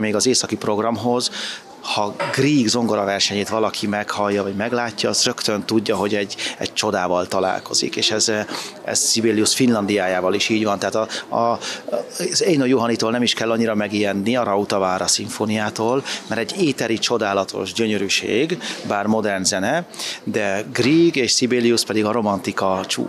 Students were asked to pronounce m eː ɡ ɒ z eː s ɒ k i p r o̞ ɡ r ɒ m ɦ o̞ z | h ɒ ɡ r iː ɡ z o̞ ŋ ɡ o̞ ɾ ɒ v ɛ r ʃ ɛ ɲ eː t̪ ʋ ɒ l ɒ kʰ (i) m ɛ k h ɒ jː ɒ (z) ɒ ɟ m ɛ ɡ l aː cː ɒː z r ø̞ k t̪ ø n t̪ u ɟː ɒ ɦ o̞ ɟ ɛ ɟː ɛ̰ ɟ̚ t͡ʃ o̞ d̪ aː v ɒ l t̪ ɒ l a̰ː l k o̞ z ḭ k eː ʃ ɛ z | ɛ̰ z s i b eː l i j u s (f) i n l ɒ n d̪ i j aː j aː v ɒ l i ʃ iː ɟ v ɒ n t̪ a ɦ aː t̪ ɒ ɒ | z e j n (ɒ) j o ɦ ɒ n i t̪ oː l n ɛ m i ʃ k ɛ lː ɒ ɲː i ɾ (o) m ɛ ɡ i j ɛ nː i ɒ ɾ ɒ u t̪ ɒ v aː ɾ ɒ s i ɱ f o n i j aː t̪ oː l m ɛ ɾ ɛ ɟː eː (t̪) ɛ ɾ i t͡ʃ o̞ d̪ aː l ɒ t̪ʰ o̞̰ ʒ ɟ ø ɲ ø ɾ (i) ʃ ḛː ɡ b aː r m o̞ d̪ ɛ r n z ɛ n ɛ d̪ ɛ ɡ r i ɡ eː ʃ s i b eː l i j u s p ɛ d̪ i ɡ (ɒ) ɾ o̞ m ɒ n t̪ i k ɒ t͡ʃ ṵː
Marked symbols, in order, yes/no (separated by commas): yes, no, yes, no, no, yes, no, yes